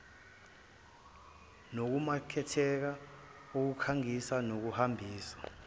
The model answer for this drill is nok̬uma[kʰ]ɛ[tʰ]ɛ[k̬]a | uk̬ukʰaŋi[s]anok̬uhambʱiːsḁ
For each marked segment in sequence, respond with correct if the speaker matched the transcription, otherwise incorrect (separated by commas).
correct, correct, correct, correct